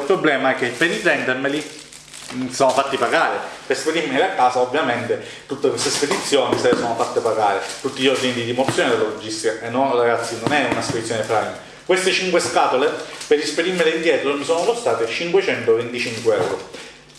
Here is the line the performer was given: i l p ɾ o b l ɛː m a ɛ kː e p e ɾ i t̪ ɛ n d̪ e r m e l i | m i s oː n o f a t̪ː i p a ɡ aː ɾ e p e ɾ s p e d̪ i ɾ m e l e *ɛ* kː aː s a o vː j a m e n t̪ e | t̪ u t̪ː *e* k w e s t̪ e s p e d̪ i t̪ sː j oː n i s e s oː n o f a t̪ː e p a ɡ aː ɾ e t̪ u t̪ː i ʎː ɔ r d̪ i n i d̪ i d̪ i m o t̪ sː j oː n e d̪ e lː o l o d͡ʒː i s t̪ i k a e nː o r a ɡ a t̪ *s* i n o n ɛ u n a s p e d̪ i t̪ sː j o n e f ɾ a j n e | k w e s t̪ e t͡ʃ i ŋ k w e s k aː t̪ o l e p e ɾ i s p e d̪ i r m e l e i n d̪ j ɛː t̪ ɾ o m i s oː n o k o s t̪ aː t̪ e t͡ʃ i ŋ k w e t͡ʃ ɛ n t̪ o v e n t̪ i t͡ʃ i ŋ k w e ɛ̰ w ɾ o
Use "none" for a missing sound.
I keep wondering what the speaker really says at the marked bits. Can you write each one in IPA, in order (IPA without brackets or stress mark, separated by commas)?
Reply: a, e, sː